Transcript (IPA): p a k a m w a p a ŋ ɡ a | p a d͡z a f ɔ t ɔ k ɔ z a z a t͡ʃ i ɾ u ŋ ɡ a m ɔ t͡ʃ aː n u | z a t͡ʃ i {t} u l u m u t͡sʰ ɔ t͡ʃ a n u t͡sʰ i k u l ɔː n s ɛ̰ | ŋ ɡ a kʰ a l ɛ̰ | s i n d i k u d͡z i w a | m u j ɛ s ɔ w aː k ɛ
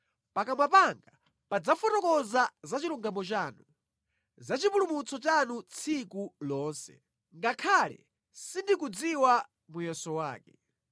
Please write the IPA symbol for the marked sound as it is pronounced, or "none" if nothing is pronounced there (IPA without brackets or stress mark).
p